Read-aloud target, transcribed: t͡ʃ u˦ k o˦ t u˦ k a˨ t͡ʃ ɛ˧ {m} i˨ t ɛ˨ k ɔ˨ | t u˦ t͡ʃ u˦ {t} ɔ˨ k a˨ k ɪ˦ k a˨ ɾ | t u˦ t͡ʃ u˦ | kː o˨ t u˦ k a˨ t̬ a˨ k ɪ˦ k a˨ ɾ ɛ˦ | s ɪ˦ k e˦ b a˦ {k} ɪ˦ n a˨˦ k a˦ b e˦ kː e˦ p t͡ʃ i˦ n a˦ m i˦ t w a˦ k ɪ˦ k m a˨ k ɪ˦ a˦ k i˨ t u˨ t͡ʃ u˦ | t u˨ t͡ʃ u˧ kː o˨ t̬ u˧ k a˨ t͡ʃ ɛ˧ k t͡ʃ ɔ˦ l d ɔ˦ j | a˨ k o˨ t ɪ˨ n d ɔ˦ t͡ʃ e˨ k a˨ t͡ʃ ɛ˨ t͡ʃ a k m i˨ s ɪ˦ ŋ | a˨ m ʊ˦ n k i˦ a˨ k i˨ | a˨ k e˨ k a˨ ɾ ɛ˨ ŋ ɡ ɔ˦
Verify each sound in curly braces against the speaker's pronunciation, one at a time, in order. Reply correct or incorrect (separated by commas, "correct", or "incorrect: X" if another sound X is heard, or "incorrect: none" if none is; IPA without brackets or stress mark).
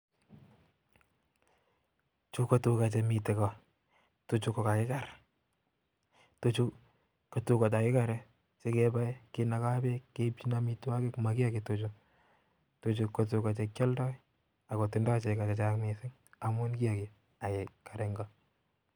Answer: correct, incorrect: k, correct